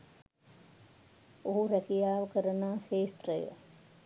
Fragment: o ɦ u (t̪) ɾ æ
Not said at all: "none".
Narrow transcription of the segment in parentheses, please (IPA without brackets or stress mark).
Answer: none